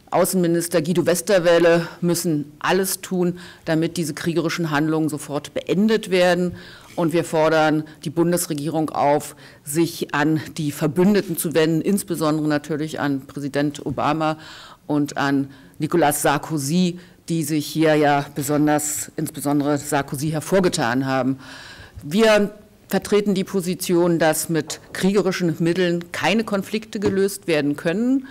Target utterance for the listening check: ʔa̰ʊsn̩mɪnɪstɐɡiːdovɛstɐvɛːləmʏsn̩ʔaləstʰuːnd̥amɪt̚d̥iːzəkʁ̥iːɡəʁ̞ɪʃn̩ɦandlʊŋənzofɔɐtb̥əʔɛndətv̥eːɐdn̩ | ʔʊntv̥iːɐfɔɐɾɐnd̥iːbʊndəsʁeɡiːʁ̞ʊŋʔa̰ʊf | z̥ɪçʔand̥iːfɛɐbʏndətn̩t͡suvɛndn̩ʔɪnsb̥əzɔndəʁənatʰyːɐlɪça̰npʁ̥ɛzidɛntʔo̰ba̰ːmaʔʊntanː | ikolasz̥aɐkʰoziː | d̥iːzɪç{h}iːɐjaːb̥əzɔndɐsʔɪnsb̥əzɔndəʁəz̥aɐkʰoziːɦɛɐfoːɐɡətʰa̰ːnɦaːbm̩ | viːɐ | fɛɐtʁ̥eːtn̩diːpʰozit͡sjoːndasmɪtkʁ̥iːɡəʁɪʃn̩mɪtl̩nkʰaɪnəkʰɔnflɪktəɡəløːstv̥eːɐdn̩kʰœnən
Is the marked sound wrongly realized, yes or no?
no